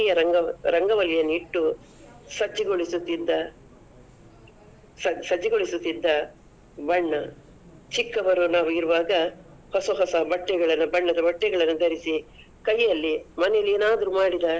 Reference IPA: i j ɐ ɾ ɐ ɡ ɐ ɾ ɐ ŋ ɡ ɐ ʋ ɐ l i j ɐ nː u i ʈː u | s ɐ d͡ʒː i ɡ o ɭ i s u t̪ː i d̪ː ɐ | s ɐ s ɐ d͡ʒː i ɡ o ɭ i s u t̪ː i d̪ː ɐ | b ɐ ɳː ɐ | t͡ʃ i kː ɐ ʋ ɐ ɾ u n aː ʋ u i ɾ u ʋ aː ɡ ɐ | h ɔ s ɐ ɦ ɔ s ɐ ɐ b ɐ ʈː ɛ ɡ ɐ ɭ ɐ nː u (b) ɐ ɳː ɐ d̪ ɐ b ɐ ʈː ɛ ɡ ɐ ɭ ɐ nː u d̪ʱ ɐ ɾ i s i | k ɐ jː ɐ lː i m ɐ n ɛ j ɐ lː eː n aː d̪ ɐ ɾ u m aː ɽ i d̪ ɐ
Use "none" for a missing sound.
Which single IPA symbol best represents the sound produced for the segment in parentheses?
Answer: b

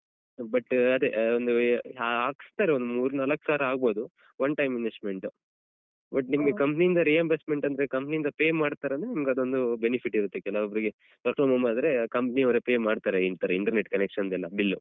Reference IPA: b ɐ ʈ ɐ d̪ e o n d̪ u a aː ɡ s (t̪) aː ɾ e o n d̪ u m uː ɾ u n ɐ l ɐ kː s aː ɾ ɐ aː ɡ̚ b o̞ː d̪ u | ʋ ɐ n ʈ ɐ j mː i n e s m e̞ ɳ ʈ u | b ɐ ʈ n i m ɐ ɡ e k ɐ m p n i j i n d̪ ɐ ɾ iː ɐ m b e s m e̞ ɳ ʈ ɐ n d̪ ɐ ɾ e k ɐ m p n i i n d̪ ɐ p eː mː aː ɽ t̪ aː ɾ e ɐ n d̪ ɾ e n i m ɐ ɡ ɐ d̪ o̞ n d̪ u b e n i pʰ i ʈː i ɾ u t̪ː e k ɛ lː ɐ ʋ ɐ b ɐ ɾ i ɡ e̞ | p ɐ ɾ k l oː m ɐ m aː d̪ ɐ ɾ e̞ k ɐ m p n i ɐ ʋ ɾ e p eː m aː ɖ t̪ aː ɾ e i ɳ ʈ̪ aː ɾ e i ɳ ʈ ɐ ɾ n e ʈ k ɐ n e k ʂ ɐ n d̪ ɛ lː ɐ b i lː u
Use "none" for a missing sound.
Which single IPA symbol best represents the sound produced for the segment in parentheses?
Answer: t̪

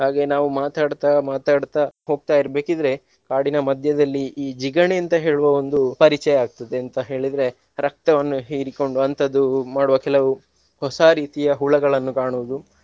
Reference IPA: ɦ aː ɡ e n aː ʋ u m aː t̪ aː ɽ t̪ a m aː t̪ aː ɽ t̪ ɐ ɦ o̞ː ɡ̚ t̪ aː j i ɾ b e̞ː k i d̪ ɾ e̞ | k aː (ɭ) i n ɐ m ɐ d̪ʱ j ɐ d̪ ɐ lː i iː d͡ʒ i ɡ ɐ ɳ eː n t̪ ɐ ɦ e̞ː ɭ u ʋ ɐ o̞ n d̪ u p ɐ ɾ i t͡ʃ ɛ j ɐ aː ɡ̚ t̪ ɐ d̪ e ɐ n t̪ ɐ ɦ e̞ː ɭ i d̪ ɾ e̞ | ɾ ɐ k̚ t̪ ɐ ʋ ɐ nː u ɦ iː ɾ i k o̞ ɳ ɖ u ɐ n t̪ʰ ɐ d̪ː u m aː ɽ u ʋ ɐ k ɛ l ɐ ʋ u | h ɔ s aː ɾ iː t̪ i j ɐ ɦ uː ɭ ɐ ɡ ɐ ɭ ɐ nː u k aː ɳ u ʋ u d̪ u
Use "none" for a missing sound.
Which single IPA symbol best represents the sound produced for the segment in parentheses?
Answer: ɽ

